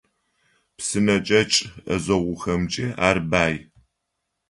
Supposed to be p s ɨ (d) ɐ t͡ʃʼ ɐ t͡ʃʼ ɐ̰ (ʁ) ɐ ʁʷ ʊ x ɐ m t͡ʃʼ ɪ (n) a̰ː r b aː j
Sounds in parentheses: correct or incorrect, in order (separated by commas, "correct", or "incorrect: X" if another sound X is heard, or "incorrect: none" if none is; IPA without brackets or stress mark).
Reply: incorrect: n, incorrect: z, incorrect: none